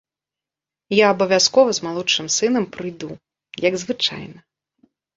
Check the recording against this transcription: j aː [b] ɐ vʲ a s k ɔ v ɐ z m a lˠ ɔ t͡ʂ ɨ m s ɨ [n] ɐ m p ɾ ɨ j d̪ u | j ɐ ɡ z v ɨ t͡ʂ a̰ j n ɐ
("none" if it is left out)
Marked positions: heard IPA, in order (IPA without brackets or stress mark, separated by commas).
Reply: b, n